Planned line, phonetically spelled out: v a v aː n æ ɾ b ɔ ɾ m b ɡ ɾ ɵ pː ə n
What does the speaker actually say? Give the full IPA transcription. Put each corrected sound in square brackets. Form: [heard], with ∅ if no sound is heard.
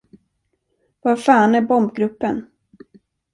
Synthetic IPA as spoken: v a [f] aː n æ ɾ b ɔ [∅] m b ɡ ɾ ɵ pː ə n